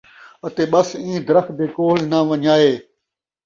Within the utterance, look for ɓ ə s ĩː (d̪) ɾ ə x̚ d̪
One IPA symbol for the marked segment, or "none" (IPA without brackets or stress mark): d̪